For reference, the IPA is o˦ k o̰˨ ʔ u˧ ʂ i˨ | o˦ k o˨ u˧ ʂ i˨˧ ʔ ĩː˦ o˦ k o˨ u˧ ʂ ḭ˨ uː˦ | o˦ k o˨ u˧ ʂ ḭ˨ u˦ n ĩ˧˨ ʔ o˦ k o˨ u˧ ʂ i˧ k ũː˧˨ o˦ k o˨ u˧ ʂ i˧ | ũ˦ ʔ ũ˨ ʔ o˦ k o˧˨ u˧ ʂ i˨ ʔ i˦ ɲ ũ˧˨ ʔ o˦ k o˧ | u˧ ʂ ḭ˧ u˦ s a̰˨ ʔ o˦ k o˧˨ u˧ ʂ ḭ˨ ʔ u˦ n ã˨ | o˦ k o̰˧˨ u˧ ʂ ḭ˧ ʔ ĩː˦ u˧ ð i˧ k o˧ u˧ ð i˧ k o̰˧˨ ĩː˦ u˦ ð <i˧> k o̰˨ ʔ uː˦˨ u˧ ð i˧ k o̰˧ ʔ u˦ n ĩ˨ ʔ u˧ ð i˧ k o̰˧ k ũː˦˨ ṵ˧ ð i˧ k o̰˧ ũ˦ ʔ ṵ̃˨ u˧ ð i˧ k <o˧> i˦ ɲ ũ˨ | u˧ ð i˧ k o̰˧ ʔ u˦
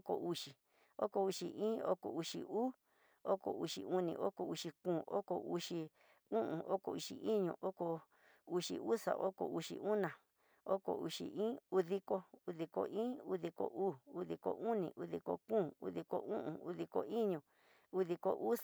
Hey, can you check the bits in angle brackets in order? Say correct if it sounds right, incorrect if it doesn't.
correct, correct

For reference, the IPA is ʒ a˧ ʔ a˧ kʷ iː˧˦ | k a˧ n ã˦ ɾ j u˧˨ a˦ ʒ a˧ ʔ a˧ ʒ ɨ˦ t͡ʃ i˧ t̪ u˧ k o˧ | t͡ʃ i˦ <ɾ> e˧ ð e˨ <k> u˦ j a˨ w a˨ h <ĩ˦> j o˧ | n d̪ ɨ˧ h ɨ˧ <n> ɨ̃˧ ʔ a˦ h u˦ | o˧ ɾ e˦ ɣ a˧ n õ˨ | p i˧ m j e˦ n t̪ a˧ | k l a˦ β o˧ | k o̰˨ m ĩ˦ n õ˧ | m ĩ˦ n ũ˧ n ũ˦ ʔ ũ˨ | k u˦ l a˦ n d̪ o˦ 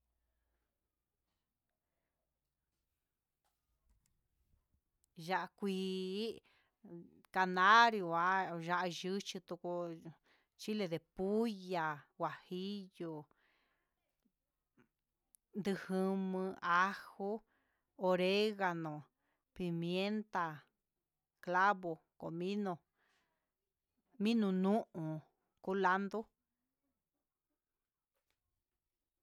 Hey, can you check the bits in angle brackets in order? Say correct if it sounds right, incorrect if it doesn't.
incorrect, incorrect, incorrect, incorrect

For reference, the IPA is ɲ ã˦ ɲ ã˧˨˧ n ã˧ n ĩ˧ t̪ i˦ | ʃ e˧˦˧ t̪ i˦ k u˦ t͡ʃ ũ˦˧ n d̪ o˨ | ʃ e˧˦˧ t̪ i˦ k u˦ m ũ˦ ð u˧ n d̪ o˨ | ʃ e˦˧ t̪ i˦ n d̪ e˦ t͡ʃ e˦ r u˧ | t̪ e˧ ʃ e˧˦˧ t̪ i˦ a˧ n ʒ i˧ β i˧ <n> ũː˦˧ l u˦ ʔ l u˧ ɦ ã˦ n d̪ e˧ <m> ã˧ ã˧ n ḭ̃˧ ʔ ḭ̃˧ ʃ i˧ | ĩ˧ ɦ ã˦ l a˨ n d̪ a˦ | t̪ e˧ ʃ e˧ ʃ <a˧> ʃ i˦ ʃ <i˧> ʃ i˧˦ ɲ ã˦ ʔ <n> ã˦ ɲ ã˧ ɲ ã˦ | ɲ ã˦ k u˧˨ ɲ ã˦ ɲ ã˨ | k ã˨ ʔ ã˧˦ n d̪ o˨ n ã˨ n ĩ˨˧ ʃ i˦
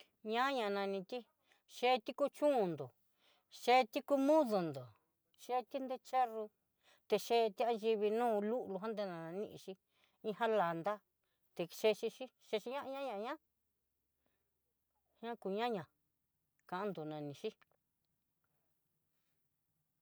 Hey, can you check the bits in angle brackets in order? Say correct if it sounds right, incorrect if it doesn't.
correct, incorrect, incorrect, incorrect, incorrect

